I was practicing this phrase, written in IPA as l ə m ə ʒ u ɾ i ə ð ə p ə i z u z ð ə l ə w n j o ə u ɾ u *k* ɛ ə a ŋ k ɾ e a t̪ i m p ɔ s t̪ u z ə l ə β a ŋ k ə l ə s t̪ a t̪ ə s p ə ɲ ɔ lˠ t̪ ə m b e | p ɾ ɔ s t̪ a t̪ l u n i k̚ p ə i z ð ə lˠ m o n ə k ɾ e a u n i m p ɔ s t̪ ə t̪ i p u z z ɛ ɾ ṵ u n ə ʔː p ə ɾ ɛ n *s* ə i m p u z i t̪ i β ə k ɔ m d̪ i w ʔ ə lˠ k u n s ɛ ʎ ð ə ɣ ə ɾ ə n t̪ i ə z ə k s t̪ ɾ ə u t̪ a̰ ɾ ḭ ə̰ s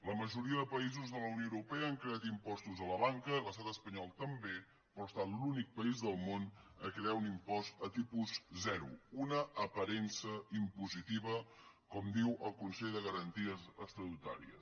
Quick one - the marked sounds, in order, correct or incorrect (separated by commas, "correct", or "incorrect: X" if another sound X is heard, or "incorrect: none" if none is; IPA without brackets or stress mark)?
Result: incorrect: p, correct